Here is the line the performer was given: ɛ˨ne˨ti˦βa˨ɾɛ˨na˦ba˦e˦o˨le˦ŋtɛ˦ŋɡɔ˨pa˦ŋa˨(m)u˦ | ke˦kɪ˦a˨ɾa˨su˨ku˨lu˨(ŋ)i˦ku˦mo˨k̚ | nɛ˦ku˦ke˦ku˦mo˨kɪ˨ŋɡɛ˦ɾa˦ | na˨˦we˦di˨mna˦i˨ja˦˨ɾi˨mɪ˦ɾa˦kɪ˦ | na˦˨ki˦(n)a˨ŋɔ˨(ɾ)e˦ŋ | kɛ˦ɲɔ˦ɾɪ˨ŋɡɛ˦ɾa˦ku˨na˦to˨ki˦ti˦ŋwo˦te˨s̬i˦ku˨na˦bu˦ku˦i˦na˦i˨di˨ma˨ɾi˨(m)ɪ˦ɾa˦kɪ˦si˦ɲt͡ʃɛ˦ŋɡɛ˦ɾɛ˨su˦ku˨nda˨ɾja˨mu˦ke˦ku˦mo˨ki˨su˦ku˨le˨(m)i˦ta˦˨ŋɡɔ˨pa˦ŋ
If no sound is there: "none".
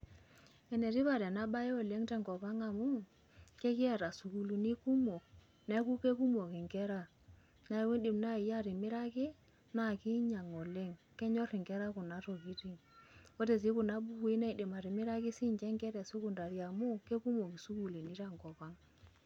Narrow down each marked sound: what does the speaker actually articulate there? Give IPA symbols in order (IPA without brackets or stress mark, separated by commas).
m, n, ɲ, l, m, n